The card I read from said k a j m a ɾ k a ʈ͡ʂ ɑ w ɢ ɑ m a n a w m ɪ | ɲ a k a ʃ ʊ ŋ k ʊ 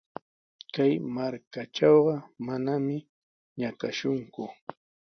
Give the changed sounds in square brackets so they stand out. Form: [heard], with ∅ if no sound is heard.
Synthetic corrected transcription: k a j m a ɾ k a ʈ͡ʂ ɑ w ɢ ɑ m a n a [∅] m ɪ | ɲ a k a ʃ ʊ ŋ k ʊ